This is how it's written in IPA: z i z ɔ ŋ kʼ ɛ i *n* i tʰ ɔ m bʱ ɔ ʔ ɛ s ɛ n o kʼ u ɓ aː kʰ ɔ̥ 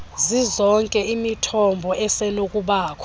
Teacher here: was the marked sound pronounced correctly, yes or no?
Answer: no